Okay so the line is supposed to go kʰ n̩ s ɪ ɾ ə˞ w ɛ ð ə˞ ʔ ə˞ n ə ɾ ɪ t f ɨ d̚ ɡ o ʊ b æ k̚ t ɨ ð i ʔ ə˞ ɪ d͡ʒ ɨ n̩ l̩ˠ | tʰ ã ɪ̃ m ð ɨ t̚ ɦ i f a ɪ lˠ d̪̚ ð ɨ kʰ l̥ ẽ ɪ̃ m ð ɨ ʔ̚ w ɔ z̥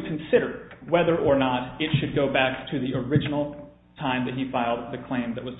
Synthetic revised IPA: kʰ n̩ s ɪ ɾ ə˞ w ɛ ð ə˞ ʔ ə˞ n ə ɾ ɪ t ʃ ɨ d̚ ɡ o ʊ b æ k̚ tʰ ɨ ð i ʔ ə˞ ɪ d͡ʒ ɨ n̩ l̩ˠ | tʰ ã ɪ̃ m ð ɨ t̚ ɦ i f a ɪ lˠ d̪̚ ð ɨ kʰ l̥ ẽ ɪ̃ m ð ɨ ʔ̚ w ʌ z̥